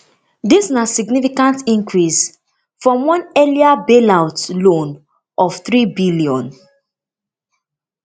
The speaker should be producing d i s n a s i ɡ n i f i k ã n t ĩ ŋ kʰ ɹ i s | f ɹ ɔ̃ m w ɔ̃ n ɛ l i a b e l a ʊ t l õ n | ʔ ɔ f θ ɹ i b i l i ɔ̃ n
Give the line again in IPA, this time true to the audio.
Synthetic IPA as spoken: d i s n a s i ɡ n i f i k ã n t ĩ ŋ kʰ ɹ i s | f ɹ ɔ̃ m w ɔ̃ n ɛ l i a b e l a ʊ t l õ n | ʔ ɔ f θ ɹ i b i l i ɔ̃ n